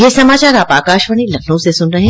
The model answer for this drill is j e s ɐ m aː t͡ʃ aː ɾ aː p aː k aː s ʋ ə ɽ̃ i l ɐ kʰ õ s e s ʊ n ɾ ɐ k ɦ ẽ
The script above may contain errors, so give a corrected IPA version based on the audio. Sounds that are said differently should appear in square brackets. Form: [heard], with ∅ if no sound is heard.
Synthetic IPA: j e s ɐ m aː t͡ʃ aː ɾ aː p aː k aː [ʃ] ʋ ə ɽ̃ i l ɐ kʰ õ s e s ʊ n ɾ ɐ [∅] ɦ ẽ